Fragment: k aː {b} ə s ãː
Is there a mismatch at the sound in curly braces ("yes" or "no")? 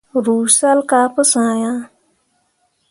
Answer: yes